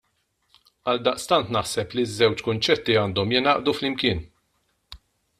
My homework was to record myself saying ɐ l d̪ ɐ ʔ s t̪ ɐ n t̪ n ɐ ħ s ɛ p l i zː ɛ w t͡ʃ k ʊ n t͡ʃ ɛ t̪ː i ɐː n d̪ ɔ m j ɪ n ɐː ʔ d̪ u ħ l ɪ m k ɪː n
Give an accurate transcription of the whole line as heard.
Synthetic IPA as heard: ɐ l d̪ ɐ ʔ s t̪ ɐ n t̪ n ɐ ħ s ɛ p l i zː ɛ w t͡ʃ k ʊ n t͡ʃ ɛ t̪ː i ɐː n d̪ ɔ m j ɪ n ɐː ʔ d̪ u f l ɪ m k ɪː n